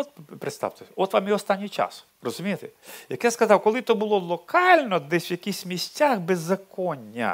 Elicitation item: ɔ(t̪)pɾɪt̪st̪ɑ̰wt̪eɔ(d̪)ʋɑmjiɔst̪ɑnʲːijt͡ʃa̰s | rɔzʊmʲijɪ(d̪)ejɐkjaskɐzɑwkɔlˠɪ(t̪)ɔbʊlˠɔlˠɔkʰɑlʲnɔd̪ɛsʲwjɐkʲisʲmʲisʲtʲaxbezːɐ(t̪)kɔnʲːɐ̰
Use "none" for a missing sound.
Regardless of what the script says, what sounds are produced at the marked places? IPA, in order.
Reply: t̪, t̪, t̪, t̪, none

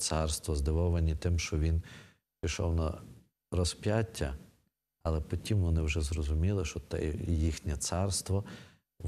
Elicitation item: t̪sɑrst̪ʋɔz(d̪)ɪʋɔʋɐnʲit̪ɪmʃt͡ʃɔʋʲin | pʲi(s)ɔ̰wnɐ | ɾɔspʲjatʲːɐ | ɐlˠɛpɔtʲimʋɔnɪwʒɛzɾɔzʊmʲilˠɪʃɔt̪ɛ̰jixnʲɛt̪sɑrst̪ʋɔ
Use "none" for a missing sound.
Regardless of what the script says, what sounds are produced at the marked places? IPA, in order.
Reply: d̪, ʃ

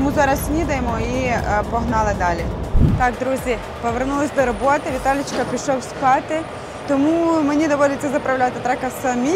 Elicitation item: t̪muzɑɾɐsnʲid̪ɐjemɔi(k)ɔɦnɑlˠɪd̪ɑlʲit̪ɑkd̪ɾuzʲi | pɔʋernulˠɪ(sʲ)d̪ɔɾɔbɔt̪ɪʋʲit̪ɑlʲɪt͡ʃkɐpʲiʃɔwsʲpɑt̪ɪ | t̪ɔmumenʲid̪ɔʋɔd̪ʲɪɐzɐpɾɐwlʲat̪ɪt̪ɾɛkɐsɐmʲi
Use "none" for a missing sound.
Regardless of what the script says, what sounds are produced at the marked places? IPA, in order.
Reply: p, sʲ

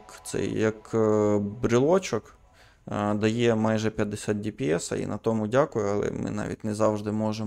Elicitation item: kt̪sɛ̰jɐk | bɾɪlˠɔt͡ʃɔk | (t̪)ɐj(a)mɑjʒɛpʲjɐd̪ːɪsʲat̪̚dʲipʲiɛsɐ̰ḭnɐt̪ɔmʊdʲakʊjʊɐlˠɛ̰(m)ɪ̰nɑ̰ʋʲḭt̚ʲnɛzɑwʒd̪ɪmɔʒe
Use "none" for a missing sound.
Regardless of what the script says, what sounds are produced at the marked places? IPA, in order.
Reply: d̪, ɛ, m

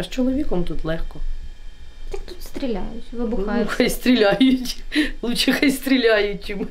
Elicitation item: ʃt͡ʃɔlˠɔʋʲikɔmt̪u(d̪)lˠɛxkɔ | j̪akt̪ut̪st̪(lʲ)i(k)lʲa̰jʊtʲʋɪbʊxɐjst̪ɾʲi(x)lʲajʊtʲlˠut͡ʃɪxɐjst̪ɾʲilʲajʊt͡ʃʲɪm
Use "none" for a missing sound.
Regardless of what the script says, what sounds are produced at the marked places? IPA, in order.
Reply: t̪, ɾʲ, none, none

